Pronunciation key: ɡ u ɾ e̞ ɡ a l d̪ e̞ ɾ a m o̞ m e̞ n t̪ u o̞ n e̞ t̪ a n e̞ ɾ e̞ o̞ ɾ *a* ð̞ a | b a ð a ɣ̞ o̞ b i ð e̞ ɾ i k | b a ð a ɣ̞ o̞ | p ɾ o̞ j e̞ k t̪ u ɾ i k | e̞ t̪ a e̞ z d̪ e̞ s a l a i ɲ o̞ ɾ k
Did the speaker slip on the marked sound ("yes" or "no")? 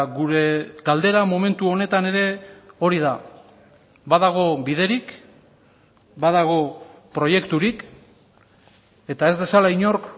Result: yes